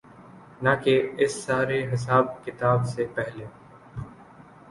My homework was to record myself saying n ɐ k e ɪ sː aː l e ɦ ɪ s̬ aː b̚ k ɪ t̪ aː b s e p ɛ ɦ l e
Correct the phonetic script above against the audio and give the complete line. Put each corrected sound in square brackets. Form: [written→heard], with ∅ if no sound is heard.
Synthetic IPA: n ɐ k e ɪ sː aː [l→ɾ] e ɦ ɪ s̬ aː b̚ k ɪ t̪ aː b s e p ɛ ɦ l e